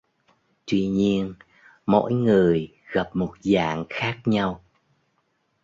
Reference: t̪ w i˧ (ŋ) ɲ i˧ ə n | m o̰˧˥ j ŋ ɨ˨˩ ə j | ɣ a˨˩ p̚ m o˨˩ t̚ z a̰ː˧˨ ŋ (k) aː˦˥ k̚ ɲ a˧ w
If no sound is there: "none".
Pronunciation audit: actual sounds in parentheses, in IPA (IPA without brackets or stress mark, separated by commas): none, x